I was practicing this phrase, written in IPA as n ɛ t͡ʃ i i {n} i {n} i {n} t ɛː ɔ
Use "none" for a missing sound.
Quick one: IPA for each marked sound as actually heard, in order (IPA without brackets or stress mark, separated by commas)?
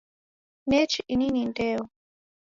n, n, n